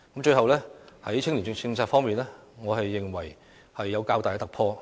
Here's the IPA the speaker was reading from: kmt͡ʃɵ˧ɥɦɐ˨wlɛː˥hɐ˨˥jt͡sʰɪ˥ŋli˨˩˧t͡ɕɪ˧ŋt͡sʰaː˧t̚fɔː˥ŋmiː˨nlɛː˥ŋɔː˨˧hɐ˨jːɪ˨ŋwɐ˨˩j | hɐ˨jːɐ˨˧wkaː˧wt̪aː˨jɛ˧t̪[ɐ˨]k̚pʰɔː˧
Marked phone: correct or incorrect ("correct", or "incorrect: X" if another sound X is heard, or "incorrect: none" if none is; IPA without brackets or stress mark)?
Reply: correct